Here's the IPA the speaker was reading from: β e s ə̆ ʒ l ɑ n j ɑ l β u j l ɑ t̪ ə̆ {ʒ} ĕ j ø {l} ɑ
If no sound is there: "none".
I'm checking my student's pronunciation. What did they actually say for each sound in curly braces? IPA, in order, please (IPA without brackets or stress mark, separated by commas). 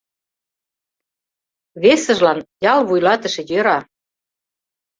ʃ, ɾ